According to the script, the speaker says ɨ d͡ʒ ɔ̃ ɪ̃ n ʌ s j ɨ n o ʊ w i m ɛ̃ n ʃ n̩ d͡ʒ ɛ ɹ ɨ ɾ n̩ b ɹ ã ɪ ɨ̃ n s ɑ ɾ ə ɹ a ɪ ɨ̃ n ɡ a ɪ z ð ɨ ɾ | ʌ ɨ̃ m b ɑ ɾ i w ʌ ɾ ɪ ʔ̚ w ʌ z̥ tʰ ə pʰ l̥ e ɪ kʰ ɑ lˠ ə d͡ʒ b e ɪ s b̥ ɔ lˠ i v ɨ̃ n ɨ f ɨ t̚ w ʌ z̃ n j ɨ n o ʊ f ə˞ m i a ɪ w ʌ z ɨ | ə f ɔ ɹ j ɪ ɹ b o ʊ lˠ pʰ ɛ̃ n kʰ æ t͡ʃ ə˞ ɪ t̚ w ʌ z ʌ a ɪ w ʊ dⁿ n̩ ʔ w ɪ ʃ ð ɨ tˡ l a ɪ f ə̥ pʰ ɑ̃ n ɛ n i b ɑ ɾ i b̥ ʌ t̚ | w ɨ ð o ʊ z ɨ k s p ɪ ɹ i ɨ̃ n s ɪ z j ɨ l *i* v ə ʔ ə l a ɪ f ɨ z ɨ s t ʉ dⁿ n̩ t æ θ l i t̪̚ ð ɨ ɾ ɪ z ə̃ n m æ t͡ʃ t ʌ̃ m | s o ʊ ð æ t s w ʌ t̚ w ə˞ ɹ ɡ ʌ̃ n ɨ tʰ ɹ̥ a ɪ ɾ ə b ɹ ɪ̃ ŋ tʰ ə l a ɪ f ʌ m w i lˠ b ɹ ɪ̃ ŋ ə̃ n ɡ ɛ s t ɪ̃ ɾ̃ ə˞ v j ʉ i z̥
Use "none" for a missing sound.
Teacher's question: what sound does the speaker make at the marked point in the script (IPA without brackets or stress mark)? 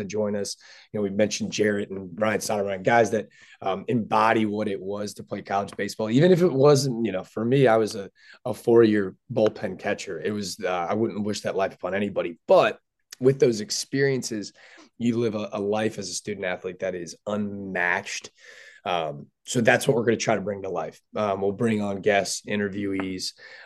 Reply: ɪ